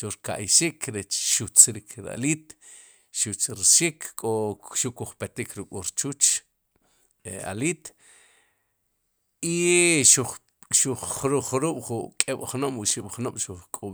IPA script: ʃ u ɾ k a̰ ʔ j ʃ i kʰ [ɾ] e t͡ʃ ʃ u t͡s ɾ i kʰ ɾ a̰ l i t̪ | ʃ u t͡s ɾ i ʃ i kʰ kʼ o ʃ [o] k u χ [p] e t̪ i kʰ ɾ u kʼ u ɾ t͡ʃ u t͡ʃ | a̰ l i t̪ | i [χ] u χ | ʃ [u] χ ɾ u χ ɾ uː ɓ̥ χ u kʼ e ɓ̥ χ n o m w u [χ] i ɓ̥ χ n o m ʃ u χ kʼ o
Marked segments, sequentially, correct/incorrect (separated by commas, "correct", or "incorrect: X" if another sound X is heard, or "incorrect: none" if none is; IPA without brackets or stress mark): correct, incorrect: u, correct, incorrect: ʃ, correct, incorrect: ʃ